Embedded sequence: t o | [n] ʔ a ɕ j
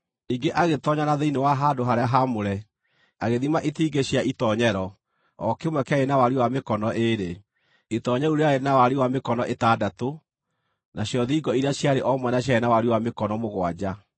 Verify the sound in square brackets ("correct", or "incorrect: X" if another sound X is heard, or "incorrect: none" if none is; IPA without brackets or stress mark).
correct